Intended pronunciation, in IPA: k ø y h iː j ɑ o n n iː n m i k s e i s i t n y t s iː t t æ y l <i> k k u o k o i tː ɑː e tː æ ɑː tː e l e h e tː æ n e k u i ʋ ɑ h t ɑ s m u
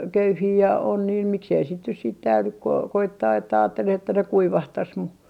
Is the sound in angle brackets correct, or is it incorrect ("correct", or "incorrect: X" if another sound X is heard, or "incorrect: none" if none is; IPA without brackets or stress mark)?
incorrect: y